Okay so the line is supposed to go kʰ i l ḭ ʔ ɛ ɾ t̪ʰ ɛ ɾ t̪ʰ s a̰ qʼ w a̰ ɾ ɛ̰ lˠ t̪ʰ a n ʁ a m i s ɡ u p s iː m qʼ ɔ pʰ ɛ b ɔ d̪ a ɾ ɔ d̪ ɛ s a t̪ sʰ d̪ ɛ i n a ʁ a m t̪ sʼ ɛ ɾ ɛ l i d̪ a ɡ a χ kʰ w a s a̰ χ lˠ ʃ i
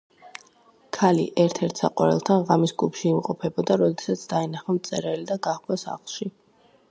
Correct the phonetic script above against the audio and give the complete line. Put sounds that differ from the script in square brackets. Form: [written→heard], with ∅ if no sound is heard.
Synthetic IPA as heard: kʰ [i→a] l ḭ ʔ ɛ ɾ t̪ʰ ɛ ɾ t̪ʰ s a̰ qʼ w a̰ ɾ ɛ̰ lˠ t̪ʰ a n ʁ a m i s ɡ u p [s→ʃ] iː m qʼ ɔ pʰ ɛ b ɔ d̪ a ɾ ɔ d̪ ɛ s a t̪ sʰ d̪ [ɛ→a] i n a [ʁ→χ] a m t̪ sʼ ɛ ɾ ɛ l i d̪ a ɡ a χ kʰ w a s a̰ χ lˠ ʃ i